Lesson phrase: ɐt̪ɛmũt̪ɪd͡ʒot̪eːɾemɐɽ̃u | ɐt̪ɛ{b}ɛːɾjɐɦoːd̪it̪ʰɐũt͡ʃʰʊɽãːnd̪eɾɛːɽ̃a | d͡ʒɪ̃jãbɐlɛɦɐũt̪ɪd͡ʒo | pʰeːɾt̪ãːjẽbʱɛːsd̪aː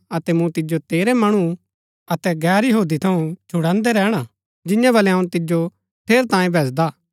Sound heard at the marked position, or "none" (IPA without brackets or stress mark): ɡ